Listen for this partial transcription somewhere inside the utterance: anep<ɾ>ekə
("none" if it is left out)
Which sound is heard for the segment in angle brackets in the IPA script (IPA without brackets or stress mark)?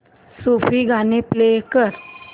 l